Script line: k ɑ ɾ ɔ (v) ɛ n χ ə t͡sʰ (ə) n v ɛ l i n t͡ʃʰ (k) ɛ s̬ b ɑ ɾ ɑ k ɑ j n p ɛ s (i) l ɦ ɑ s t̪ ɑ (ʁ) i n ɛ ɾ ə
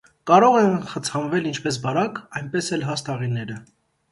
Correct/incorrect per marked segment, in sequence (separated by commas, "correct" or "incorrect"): incorrect, incorrect, incorrect, incorrect, correct